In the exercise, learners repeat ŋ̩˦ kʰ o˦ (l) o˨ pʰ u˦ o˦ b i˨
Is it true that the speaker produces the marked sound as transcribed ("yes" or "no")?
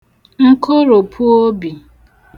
no